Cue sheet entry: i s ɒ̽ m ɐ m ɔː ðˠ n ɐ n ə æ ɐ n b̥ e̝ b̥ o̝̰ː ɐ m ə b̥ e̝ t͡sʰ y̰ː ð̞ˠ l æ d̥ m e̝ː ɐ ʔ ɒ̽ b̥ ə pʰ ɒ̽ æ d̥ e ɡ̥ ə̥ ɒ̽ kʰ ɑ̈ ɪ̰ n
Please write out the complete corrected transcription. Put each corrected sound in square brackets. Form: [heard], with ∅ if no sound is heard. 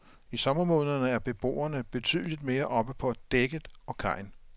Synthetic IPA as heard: i s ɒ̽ m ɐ m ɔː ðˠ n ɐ n ə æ ɐ [∅] b̥ e̝ b̥ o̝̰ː ɐ [n] ə b̥ e̝ t͡sʰ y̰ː ð̞ˠ l [i] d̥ m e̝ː ɐ ʔ ɒ̽ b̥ ə pʰ ɒ̽ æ d̥ e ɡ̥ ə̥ ɒ̽ kʰ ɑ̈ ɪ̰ n